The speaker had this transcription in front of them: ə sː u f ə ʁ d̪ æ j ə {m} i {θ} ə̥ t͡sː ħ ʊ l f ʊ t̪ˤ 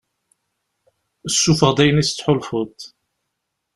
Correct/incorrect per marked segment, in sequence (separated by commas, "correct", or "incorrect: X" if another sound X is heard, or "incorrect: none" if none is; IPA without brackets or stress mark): incorrect: n, incorrect: s